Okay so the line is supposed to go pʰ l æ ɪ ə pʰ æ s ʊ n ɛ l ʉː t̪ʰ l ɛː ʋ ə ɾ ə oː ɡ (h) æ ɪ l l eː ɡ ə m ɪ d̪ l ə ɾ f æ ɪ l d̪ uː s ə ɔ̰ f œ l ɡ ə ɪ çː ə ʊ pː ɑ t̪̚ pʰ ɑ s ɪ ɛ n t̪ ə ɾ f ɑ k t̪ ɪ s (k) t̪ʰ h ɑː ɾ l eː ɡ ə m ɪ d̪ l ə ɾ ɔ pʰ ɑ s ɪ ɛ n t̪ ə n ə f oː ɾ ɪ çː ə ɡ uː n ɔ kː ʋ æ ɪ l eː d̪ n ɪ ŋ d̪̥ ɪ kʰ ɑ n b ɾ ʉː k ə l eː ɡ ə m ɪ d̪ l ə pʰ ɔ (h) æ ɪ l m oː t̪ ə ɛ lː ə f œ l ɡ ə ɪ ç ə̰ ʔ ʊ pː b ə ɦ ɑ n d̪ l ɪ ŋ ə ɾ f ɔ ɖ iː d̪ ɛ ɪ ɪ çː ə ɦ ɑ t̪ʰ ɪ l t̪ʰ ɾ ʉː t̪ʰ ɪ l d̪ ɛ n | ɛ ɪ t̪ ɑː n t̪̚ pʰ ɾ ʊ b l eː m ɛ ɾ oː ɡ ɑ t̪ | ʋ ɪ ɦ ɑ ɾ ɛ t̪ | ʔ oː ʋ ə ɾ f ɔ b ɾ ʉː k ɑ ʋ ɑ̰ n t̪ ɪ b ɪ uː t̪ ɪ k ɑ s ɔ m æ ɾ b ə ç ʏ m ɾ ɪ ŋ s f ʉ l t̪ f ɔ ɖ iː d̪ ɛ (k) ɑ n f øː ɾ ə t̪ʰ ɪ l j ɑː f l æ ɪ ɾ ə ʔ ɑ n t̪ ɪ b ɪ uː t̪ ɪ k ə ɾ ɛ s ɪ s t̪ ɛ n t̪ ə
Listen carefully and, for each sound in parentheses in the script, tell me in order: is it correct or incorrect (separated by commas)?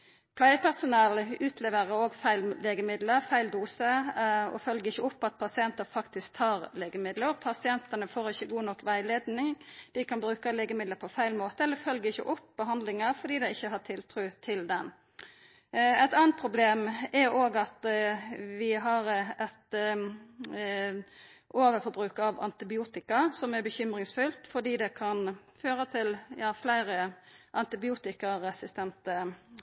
incorrect, correct, incorrect, incorrect